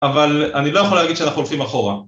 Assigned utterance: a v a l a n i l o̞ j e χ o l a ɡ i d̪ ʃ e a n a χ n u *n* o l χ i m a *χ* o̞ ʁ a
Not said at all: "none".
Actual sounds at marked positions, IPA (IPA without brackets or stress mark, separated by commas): none, χ